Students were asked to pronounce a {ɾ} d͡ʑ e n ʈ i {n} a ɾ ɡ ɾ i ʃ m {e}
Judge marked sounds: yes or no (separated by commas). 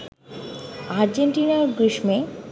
yes, yes, yes